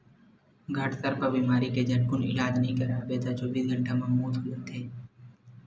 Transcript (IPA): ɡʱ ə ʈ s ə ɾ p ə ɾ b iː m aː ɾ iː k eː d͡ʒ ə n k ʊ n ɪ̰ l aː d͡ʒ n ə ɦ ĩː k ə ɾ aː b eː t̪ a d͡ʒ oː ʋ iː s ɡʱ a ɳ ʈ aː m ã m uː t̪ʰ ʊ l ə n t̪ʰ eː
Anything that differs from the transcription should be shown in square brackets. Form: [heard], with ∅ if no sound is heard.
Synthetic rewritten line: ɡʱ ə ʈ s ə ɾ p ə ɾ b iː m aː ɾ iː k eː d͡ʒ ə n k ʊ n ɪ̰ l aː d͡ʒ n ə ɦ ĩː k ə ɾ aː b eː t̪ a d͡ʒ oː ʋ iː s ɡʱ [ə] ɳ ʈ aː m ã m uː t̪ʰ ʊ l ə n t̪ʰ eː